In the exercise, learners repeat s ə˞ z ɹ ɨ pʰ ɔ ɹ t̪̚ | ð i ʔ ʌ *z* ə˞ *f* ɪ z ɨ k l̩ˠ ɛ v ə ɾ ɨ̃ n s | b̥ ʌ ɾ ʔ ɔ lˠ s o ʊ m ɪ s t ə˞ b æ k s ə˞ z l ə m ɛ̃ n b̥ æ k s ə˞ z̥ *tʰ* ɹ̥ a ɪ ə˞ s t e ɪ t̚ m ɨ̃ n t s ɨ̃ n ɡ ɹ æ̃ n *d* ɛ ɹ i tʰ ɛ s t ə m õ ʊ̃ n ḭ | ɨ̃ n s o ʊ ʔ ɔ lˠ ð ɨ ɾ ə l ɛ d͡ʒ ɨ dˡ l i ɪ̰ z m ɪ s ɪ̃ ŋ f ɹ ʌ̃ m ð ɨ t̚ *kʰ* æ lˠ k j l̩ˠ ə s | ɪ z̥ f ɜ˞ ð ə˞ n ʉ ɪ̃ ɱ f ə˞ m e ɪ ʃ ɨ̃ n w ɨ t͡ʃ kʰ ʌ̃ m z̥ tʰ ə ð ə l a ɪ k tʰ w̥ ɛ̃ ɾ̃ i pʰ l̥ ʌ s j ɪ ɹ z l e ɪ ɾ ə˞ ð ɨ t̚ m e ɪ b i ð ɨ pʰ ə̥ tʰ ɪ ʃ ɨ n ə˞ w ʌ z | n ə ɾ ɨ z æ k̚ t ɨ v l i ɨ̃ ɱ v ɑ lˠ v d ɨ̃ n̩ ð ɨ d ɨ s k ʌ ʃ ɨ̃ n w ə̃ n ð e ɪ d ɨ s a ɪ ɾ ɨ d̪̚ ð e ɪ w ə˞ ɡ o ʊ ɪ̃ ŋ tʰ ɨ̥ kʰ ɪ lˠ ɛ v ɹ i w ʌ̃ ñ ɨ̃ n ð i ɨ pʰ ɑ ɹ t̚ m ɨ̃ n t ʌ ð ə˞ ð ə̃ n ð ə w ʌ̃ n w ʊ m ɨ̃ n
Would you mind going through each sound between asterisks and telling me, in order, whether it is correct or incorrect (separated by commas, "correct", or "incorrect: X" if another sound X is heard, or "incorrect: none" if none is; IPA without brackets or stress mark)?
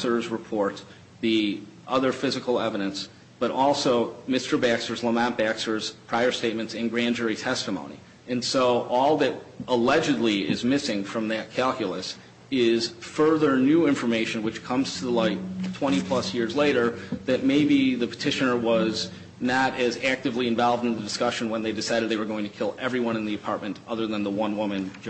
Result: incorrect: ð, correct, incorrect: pʰ, incorrect: d͡ʒ, correct